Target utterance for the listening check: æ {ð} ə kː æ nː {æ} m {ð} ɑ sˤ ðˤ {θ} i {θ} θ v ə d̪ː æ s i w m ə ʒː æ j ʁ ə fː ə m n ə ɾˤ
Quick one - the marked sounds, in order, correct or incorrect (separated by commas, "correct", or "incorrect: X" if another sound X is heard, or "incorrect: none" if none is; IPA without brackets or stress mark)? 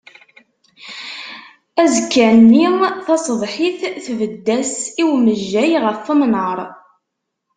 incorrect: z, incorrect: i, incorrect: θ, incorrect: ħ, correct